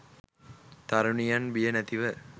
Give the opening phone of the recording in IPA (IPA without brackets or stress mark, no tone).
t̪